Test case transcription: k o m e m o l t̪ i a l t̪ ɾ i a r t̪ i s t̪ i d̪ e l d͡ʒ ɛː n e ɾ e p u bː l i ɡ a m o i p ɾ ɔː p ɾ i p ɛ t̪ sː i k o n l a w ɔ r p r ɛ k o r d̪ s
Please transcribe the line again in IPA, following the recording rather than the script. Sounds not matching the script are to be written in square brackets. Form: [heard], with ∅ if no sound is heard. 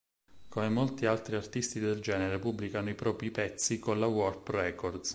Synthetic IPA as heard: k o m e m o l t̪ i a l t̪ ɾ i a r t̪ i s t̪ i d̪ e l d͡ʒ ɛː n e ɾ e p u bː l i [k] a [n] o i p ɾ ɔː p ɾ i p ɛ t̪ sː i k o n l a w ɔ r p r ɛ k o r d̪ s